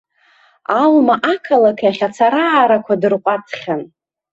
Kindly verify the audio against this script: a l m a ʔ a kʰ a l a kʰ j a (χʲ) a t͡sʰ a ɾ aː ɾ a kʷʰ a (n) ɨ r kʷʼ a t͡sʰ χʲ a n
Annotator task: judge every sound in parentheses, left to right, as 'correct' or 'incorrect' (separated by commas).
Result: correct, incorrect